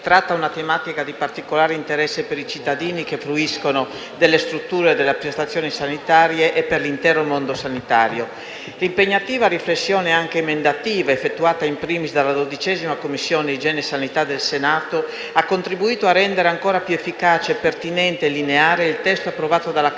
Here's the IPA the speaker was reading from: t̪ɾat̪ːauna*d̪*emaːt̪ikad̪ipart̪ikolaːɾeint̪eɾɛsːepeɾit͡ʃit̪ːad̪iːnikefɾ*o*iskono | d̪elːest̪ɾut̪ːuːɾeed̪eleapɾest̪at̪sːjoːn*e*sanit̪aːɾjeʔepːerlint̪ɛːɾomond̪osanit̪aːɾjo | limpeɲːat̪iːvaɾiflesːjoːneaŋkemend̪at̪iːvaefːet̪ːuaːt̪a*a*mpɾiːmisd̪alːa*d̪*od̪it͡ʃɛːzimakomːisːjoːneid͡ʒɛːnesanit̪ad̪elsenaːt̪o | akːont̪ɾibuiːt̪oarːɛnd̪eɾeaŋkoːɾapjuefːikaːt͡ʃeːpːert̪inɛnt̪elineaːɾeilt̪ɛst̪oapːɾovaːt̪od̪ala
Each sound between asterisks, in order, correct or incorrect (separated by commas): incorrect, incorrect, incorrect, incorrect, correct